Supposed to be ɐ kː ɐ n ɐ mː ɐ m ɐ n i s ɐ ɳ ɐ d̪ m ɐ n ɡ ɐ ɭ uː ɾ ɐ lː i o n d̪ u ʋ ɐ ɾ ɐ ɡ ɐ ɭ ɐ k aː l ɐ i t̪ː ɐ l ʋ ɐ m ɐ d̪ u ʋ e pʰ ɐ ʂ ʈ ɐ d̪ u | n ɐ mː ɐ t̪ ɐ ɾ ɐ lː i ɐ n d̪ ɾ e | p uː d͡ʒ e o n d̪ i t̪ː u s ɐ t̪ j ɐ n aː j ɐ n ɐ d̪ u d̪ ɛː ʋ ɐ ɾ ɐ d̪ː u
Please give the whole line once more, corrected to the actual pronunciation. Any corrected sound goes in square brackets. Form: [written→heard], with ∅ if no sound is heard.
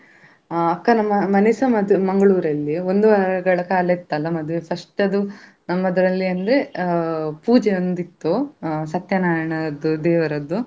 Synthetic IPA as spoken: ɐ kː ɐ n ɐ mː ɐ m ɐ n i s ɐ [ɳ→m] ɐ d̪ m ɐ [n→ŋ] ɡ ɐ ɭ uː ɾ ɐ lː i o n d̪ u ʋ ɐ ɾ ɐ ɡ ɐ ɭ ɐ k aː l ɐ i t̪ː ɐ l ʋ ɐ m ɐ d̪ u ʋ e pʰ ɐ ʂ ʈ ɐ d̪ u | n ɐ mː ɐ [t̪→d̪] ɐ ɾ ɐ lː i ɐ n d̪ ɾ e | p uː d͡ʒ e o n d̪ i t̪ː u s ɐ t̪ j ɐ n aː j ɐ [n→ɳ] ɐ d̪ u d̪ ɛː ʋ ɐ ɾ ɐ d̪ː u